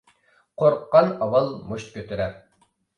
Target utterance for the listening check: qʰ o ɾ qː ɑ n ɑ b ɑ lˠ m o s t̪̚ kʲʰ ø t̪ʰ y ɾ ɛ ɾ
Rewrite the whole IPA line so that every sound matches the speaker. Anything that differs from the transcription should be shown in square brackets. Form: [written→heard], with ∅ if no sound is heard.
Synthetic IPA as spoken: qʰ o ɾ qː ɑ n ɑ [b→w] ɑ lˠ m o [s→ʃ] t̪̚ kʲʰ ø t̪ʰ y ɾ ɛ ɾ